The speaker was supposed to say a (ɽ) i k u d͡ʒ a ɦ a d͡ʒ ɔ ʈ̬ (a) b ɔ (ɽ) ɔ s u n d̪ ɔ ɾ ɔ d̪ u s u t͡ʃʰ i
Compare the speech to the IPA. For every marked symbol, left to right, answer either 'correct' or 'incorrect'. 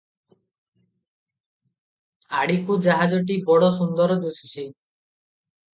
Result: correct, incorrect, correct

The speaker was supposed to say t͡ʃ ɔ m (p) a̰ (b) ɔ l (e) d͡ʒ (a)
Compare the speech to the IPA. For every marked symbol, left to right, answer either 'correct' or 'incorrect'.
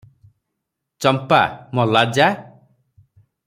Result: correct, incorrect, incorrect, correct

